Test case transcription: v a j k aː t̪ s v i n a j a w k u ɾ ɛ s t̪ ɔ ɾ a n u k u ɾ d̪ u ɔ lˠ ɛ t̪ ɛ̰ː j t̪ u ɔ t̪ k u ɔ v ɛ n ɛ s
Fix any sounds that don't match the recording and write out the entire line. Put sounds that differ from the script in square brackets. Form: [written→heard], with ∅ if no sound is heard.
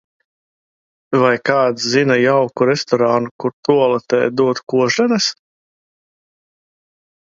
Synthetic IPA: v a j k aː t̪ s [v→z] i n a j a w k u ɾ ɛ s t̪ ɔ ɾ a n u k u ɾ [d̪→t̪] u ɔ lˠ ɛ t̪ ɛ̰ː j [t̪→d̪] u ɔ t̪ k u ɔ [v→ʒ] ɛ n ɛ s

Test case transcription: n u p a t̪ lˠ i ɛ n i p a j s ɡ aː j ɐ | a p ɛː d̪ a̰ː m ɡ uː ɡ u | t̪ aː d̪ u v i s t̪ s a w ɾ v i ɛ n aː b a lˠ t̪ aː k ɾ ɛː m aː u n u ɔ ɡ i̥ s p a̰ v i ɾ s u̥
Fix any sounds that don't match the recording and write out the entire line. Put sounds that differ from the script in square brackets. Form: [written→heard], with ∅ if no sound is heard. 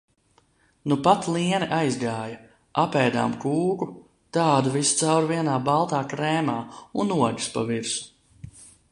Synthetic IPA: n u p a t̪ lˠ i ɛ n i [p→ʔ] a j [s→z] ɡ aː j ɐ | a p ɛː d̪ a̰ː m [ɡ→k] uː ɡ u | t̪ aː d̪ u v i s t̪ s a w ɾ v i ɛ n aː b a lˠ t̪ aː k ɾ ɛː m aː u n u ɔ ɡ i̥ s p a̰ v i ɾ s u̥

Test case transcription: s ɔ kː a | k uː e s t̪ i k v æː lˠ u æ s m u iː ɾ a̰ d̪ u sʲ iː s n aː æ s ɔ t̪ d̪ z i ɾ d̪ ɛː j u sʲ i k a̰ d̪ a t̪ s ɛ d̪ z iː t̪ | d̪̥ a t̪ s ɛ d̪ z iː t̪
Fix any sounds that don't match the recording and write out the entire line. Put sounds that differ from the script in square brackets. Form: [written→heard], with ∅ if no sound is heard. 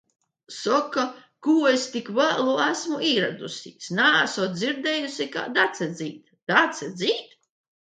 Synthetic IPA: s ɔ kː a | k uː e s t̪ i k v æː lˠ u æ s m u iː ɾ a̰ d̪ u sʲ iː s n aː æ s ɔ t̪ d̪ z i ɾ d̪ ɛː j u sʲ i k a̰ d̪ a t̪ s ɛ d̪ z iː t̪ | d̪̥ a t̪ s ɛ d̪ z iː t̪

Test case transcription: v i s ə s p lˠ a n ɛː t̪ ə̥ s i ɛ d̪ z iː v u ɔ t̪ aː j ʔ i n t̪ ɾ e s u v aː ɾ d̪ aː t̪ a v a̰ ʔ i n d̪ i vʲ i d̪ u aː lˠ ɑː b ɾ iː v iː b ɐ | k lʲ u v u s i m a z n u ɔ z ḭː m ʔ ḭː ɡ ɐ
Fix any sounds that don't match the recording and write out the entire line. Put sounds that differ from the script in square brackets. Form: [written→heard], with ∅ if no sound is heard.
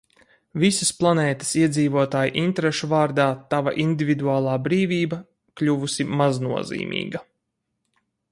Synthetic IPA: v i s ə s p lˠ a n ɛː t̪ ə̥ s i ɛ d̪ z iː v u ɔ t̪ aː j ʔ i n t̪ ɾ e [s→ʃ] u v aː ɾ d̪ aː t̪ a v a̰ ʔ i n d̪ i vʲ i d̪ u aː lˠ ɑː b ɾ iː v iː b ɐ | k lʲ u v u s i m a z n u ɔ z ḭː m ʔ ḭː ɡ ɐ

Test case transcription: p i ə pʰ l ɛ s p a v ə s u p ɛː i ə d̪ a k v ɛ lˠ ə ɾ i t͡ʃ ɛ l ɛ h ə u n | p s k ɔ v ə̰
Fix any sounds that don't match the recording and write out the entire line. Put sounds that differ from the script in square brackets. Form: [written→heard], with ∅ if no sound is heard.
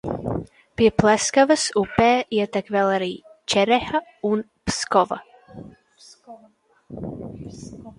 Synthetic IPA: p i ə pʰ l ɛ s [p→k] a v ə s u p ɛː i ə [d̪→t̪] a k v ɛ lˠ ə ɾ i t͡ʃ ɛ [l→ɾ] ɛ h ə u n | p s k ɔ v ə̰

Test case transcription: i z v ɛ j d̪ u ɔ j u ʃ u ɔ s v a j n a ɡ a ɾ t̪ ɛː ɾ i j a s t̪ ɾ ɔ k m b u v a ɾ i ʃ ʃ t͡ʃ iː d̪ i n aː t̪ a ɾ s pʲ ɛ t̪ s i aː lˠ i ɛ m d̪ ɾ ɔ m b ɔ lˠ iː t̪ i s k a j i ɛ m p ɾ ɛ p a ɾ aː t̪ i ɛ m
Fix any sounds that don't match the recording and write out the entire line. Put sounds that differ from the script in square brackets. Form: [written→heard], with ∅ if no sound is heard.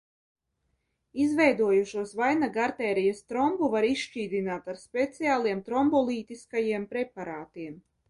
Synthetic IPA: i z v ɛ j d̪ u ɔ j u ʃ u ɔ s v a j n a ɡ a ɾ t̪ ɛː ɾ i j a s t̪ ɾ ɔ [k→∅] m b u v a ɾ i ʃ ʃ t͡ʃ iː d̪ i n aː t̪ a ɾ s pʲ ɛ t̪ s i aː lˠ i ɛ m [d̪→t̪] ɾ ɔ m b ɔ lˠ iː t̪ i s k a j i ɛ m p ɾ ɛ p a ɾ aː t̪ i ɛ m

